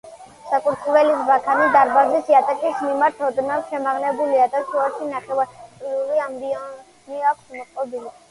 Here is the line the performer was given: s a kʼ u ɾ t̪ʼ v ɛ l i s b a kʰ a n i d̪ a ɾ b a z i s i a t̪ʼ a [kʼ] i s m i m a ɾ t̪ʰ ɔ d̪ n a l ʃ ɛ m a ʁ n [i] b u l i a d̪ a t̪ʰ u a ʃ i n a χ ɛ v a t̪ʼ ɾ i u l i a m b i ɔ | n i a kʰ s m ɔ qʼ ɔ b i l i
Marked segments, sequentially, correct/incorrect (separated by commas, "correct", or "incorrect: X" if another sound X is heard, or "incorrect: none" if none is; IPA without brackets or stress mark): correct, incorrect: ɛ